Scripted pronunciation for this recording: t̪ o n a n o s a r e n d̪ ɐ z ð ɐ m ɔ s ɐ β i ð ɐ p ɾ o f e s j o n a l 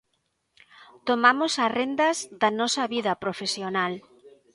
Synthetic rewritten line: t̪ o m a m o s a r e n d̪ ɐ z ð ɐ n ɔ s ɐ β i ð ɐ p ɾ o f e s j o n a l

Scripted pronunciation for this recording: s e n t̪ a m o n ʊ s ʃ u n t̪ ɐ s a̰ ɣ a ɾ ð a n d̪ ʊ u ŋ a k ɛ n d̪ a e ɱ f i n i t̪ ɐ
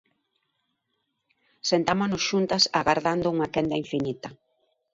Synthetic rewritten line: s e n t̪ a m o n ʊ s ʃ u n t̪ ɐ s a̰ ɣ a ɾ ð a n d̪ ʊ u ŋ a k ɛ n d̪ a i ɱ f i n i t̪ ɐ

